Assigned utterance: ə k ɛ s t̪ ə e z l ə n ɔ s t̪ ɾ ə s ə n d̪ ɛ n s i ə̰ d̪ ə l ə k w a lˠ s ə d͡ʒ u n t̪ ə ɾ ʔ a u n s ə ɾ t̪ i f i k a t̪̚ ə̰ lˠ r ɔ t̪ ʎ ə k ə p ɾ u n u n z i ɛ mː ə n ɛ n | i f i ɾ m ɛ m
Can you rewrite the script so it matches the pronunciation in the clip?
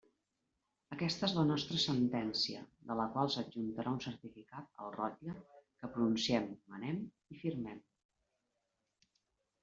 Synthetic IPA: ə k ɛ s t̪ ə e z l ə n ɔ s t̪ ɾ ə s ə n t̪ ɛ n s i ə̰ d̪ ə l ə k w a lˠ s ə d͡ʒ u n t̪ ə ɾ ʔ a u n s ə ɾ t̪ i f i k a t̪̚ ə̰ lˠ r ɔ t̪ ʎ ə k ə p ɾ u n u n s i ɛ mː ə n ɛ m | i f i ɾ m ɛ m